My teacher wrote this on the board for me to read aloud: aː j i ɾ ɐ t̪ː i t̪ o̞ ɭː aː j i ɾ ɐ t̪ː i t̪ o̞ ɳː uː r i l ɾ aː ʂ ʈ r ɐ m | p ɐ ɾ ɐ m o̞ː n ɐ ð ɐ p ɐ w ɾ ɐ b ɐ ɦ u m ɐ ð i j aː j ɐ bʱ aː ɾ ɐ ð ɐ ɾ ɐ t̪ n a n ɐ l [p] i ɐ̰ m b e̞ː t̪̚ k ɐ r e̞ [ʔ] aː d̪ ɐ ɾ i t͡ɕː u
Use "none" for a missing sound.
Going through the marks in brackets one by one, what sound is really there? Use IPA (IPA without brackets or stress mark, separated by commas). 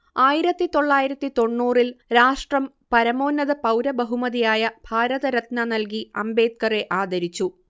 k, ʔ